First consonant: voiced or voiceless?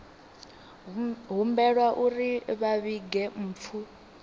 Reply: voiced